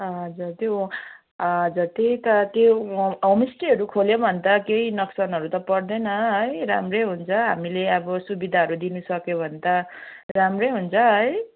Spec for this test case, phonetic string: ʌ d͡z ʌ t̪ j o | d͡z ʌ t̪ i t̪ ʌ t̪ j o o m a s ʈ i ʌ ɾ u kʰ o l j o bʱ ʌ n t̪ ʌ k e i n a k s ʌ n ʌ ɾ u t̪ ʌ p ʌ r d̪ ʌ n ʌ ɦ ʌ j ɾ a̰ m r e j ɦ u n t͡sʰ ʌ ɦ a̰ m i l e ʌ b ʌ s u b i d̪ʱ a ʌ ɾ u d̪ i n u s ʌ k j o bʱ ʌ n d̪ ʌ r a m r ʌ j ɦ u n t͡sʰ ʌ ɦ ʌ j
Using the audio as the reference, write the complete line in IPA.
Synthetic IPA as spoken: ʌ d͡z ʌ t̪ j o | d͡z ʌ t̪ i t̪ ʌ t̪ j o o m i s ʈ i ʌ ɾ u kʰ o l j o bʱ ʌ n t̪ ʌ k e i n ʌ k s ʌ n ʌ ɾ u t̪ ʌ p ʌ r d̪ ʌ n ʌ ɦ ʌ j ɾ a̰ m r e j ɦ u n t͡sʰ ʌ ɦ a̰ m i l e ʌ b ʌ s u b i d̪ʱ a ʌ ɾ u d̪ i n u s ʌ k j o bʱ ʌ n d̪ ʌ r a m r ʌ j ɦ u n t͡sʰ ʌ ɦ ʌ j

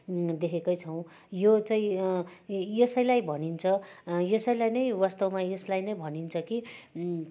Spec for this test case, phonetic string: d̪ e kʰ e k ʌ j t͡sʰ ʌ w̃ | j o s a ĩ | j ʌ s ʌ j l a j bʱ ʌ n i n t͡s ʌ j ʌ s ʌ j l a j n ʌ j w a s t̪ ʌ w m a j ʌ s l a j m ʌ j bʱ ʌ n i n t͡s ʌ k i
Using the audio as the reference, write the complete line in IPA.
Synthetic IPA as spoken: d̪ e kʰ e k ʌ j t͡sʰ ʌ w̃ | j o t͡s a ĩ | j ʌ s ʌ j l a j bʱ ʌ n i n t͡sʰ ʌ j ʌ s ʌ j l a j n ʌ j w a s t̪ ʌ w m a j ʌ s l a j n ʌ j bʱ ʌ n i n t͡sʰ ʌ k i

